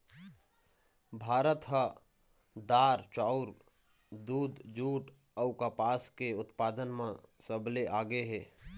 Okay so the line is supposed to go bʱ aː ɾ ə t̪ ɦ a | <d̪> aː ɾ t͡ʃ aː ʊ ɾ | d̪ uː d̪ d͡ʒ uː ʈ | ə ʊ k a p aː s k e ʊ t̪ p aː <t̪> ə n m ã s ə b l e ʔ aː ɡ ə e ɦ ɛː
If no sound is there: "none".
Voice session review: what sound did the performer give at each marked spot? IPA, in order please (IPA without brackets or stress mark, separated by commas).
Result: d̪, d̪